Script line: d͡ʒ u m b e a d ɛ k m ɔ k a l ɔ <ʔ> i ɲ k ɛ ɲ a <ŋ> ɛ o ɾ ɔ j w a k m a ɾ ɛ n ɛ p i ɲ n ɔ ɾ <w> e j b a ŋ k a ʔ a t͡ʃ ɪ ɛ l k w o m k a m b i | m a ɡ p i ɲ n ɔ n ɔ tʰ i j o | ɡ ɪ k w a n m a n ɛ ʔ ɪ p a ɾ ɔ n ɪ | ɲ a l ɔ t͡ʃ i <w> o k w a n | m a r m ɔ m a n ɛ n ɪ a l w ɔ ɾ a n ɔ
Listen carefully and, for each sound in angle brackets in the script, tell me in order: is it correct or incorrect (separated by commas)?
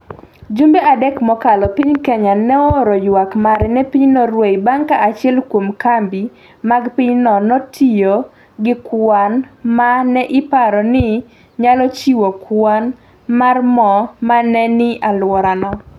incorrect, incorrect, correct, correct